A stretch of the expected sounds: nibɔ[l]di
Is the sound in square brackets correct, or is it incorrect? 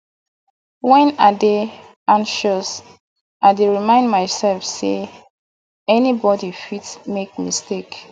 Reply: incorrect: none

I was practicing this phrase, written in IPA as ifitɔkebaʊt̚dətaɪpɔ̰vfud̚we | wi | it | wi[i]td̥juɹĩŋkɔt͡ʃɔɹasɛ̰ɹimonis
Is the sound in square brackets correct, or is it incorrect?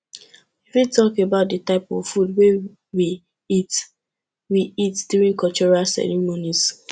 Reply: correct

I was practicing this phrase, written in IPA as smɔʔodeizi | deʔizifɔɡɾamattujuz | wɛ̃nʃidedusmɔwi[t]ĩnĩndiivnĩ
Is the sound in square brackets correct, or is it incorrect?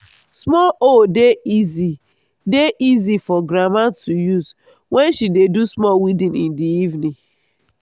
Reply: incorrect: d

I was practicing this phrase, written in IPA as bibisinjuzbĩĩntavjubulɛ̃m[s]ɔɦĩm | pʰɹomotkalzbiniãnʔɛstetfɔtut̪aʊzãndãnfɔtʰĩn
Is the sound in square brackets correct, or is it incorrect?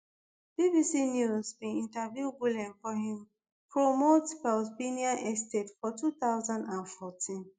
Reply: incorrect: f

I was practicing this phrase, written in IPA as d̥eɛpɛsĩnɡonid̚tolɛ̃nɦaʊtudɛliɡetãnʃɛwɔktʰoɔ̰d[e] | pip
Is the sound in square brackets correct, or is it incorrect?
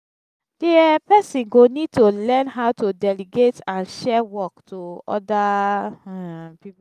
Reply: incorrect: a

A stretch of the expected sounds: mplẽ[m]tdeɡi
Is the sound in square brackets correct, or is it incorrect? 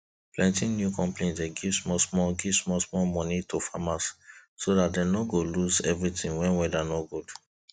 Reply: incorrect: n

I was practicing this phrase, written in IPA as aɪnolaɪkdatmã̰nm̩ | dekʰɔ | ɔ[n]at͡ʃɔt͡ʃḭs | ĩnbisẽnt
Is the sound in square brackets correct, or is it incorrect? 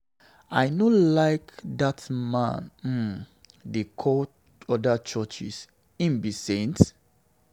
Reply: incorrect: d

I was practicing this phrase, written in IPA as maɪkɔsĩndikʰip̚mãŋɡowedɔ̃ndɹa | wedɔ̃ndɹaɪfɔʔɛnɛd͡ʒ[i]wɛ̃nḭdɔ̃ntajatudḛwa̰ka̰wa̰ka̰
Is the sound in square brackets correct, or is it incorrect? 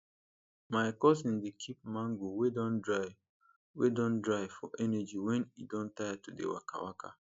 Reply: correct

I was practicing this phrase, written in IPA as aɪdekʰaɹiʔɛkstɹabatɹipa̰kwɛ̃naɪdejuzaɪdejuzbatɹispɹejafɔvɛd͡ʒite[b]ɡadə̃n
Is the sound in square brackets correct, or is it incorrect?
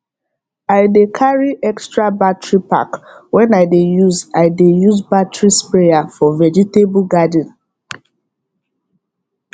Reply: correct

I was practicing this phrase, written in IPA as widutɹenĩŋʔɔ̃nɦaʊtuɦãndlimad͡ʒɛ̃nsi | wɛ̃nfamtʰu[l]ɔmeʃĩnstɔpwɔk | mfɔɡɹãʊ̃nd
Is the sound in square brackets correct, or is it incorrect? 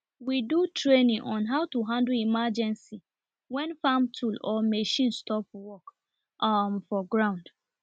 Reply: correct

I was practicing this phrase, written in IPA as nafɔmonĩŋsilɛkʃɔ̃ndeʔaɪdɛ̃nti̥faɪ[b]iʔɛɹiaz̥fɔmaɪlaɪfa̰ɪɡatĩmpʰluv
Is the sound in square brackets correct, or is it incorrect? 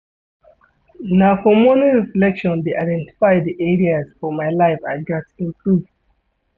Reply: incorrect: d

